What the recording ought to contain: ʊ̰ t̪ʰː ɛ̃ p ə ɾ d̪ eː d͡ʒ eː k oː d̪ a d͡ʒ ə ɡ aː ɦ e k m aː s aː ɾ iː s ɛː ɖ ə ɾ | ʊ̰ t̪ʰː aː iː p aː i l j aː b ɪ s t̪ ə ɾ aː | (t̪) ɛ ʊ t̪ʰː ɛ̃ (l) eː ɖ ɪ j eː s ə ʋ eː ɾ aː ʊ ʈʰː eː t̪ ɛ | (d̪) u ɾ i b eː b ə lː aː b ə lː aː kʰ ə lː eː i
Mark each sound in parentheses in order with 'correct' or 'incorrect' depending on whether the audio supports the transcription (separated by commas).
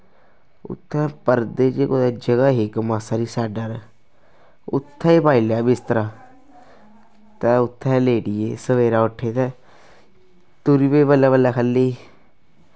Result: correct, correct, incorrect